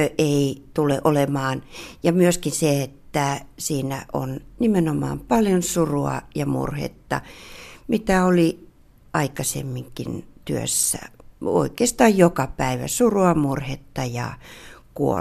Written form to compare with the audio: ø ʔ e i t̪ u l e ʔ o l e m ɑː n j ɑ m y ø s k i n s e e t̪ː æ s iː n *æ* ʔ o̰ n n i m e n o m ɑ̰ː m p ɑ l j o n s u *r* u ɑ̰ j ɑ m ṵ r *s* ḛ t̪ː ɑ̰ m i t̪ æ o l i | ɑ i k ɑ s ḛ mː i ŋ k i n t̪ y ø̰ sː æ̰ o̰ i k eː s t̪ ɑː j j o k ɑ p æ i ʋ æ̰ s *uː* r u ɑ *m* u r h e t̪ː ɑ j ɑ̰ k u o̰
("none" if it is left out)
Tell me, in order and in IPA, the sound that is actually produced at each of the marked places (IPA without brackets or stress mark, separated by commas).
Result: æ, r, h, u, m